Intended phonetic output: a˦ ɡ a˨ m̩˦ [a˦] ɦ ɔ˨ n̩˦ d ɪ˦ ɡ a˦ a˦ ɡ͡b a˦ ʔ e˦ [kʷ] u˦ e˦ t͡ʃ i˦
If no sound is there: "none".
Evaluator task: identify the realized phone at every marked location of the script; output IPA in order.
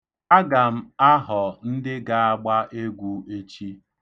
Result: a˦, ɡʷ

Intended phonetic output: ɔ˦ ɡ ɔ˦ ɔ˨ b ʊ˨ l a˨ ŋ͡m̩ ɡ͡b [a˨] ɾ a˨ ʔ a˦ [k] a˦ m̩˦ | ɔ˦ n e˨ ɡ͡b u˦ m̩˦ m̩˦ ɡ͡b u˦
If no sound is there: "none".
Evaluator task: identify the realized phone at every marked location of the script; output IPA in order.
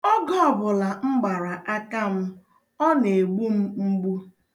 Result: a˨, k

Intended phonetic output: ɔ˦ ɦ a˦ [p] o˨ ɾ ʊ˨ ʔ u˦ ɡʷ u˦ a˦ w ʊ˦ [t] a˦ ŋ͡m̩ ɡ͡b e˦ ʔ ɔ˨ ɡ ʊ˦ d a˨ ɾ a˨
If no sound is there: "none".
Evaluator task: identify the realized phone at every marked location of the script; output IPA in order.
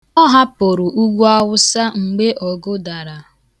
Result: p, s

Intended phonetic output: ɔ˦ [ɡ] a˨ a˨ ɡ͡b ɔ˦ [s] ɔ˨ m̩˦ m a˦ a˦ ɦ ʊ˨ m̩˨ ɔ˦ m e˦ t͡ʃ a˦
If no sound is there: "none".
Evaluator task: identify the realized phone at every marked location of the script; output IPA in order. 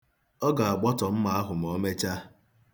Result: ɡ, t

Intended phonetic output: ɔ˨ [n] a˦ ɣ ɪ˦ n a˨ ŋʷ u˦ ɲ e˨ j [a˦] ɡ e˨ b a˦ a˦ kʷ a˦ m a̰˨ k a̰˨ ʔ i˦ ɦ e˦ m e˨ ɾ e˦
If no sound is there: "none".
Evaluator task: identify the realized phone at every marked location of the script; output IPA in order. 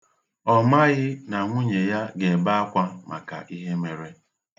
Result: m, a˦

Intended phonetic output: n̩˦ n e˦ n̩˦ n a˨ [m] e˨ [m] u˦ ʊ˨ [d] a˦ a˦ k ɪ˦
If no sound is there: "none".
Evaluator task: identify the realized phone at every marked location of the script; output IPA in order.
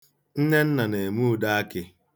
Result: n, m, d

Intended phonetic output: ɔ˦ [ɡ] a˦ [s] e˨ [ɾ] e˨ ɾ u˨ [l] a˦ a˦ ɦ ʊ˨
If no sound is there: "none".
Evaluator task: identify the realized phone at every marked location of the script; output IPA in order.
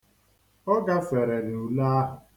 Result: ɡ, f, ɾ, l

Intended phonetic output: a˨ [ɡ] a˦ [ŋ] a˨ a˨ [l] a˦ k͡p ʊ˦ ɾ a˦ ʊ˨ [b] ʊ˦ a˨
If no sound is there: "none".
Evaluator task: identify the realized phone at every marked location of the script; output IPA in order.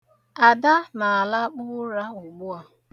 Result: d, n, l, ɡ͡b

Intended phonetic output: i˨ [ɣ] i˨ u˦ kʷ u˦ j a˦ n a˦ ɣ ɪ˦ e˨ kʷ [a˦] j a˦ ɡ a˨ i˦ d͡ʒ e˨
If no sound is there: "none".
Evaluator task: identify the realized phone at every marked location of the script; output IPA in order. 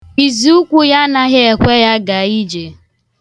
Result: z, e˦

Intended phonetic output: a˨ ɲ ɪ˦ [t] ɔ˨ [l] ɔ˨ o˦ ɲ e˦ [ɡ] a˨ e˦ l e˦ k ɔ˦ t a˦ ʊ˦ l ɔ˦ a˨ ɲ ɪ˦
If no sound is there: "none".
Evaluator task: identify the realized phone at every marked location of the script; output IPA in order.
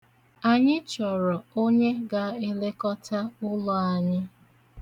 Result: t͡ʃ, ɾ, ɡ

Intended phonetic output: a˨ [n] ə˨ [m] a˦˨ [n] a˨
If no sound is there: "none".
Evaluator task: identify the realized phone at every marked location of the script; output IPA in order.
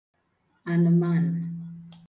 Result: n, m, n

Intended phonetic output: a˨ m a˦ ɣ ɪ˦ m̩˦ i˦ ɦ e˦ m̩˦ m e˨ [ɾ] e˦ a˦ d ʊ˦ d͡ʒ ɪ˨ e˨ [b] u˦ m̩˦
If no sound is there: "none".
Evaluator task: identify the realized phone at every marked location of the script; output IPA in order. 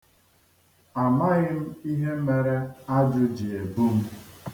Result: ɾ, b

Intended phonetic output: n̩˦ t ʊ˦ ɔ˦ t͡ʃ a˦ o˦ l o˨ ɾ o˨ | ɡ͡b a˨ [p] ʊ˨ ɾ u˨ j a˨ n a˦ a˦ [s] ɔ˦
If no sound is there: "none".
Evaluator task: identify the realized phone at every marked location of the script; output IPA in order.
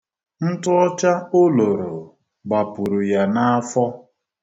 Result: p, f

